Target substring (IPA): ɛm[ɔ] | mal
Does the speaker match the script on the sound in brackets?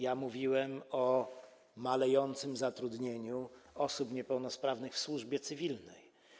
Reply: yes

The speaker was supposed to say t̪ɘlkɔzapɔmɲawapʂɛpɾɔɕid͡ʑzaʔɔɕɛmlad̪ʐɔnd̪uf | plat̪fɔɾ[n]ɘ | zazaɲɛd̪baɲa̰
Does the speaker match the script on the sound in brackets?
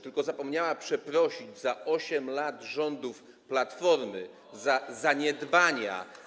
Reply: no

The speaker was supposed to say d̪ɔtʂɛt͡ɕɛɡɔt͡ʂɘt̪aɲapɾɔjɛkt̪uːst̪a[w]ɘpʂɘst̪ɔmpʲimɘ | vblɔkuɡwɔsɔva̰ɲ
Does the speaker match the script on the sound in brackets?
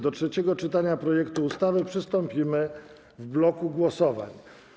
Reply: no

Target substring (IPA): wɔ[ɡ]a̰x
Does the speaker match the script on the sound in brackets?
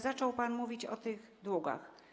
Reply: yes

